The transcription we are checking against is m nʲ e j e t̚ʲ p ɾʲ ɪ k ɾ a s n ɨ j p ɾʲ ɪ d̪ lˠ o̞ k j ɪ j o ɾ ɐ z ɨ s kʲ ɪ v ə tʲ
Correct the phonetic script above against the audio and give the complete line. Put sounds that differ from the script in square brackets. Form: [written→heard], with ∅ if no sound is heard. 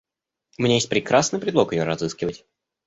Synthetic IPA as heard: m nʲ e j e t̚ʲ p ɾʲ ɪ k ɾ a s n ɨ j p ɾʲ ɪ d̪ lˠ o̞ k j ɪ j o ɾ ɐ z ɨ s kʲ ɪ v ə tʲ